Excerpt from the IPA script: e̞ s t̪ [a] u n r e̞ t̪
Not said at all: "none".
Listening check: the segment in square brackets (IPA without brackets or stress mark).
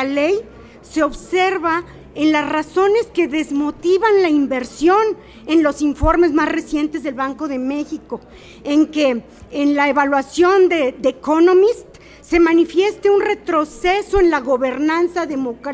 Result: e